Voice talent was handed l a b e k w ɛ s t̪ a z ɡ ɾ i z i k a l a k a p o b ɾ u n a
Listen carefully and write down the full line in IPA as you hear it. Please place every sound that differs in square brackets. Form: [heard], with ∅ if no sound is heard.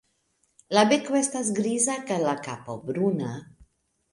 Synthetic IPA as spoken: l a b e k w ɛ s t̪ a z ɡ ɾ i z [a] k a l a k a p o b ɾ u n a